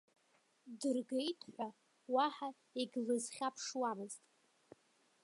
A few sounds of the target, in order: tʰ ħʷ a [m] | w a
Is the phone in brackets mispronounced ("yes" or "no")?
yes